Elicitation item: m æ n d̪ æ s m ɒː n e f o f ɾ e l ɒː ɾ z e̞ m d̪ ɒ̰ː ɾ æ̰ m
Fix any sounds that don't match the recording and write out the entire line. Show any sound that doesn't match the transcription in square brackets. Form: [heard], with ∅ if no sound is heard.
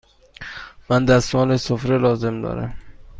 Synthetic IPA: m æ n d̪ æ s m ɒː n e [s] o f ɾ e l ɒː [∅] z e̞ m d̪ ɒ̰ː ɾ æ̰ m